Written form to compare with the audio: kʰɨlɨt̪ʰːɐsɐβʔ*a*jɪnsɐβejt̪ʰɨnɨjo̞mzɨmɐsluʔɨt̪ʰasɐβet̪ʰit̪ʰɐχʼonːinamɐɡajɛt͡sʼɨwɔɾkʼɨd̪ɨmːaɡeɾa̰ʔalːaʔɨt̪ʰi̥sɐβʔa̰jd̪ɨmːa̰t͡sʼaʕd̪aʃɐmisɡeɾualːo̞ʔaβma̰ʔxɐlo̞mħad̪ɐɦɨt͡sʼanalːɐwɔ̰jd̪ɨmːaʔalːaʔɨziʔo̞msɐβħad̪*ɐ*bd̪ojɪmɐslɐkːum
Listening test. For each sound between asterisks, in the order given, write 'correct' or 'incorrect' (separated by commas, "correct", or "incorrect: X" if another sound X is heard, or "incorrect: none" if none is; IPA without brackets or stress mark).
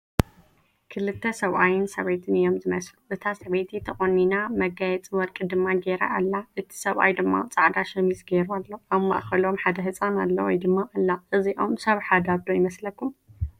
correct, incorrect: a